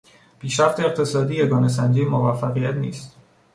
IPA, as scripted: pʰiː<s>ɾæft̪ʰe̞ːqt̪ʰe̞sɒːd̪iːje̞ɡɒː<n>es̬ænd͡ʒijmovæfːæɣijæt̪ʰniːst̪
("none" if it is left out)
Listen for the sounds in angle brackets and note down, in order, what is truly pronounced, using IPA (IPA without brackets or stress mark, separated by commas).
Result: ʃ, n